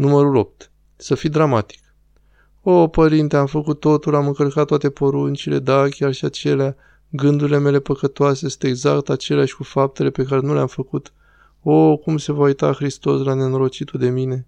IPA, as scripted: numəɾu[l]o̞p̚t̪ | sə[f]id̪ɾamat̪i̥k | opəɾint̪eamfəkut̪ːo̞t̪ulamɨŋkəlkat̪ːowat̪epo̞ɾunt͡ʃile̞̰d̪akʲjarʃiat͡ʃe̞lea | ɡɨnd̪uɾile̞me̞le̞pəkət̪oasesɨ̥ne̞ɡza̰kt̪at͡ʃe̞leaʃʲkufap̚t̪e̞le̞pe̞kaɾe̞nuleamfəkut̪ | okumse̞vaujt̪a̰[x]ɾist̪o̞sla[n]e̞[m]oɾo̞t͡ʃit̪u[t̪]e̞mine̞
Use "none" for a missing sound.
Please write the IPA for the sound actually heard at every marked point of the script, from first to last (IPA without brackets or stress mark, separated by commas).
l, f, x, n, n, d̪